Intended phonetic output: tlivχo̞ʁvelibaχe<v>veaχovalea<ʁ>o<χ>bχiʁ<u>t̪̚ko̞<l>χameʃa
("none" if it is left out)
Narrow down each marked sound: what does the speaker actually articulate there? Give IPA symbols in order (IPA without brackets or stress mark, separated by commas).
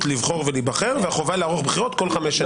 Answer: ʁ, ʁ, χ, o, l